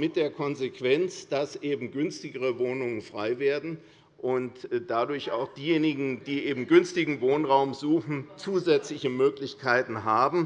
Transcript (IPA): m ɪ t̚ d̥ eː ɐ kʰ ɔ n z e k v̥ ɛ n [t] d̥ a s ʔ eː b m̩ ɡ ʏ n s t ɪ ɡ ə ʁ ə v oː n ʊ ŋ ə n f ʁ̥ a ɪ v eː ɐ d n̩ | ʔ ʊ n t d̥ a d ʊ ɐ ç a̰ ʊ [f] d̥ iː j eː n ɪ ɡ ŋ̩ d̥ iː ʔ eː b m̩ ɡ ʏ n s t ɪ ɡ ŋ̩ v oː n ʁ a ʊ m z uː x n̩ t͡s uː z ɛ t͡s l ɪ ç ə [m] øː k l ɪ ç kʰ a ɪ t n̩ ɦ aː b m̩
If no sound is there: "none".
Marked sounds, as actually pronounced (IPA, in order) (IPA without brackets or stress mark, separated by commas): t͡s, x, m